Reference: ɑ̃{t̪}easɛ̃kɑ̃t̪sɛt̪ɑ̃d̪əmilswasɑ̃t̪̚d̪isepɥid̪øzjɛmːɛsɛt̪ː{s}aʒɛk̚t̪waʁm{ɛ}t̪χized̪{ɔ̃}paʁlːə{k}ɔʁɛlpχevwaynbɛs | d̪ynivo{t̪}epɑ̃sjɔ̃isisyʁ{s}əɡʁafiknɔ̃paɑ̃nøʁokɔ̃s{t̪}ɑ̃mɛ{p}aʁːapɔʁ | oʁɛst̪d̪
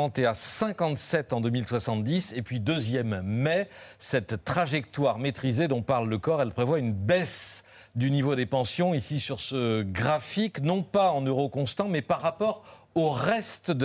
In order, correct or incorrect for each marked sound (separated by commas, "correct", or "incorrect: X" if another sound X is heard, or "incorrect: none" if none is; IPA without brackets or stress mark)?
correct, incorrect: χ, incorrect: e, correct, correct, incorrect: d̪, correct, correct, correct